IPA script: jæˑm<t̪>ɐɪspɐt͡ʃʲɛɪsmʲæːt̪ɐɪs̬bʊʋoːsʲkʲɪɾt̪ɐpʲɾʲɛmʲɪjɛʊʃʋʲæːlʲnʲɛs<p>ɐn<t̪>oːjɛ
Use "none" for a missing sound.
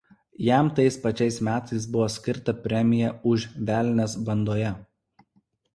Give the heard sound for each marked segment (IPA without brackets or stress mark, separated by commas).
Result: t̪, b, d̪